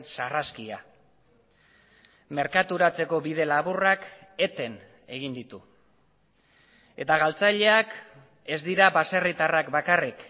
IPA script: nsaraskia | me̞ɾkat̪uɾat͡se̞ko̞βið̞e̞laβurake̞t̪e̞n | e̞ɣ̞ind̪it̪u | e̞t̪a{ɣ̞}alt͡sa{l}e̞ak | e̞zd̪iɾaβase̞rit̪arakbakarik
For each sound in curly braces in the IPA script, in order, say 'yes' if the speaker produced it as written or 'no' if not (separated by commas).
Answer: yes, no